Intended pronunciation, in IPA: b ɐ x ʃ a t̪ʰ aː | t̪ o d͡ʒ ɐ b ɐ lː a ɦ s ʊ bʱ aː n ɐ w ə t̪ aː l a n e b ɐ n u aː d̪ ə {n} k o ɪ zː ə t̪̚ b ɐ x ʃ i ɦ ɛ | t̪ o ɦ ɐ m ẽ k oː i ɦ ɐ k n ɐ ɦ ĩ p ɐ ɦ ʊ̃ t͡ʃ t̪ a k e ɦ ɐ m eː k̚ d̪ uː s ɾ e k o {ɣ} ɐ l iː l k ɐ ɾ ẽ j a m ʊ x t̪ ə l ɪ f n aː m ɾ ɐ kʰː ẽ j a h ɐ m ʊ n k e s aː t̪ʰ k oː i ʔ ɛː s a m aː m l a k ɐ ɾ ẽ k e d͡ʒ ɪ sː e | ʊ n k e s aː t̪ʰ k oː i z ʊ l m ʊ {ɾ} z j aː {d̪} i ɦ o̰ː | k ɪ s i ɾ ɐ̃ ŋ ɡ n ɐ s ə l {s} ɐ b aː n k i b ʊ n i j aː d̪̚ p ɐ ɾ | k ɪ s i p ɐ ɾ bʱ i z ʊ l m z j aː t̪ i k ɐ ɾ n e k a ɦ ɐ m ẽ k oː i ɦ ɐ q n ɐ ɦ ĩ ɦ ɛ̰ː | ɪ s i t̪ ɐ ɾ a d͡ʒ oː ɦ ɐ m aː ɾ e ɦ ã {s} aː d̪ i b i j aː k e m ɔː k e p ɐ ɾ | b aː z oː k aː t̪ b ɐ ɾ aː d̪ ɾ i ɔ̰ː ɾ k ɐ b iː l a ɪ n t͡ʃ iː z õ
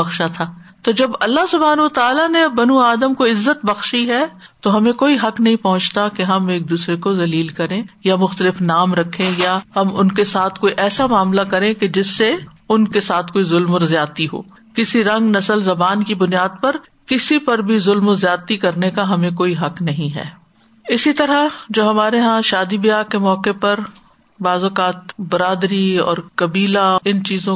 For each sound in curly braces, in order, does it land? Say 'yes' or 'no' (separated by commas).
no, no, yes, no, no, no